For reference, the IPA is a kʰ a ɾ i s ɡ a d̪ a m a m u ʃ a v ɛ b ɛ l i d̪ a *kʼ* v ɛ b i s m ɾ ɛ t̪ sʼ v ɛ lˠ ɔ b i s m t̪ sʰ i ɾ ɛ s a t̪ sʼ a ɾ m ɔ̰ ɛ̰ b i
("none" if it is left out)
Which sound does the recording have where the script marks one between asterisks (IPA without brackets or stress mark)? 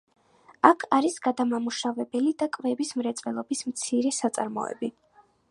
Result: kʼ